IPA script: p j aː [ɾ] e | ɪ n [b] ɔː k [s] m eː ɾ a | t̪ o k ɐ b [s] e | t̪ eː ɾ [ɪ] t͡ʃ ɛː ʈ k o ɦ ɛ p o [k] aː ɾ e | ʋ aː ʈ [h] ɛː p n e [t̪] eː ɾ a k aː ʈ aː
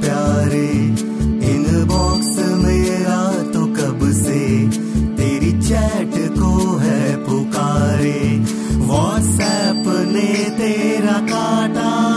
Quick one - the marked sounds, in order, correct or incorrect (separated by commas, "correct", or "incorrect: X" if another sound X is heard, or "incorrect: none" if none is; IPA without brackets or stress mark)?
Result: correct, correct, correct, correct, incorrect: i, correct, incorrect: s, correct